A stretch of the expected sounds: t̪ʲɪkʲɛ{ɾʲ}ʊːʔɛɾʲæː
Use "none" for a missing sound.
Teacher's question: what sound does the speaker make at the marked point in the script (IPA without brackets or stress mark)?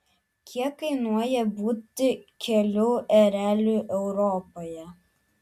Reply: lʲ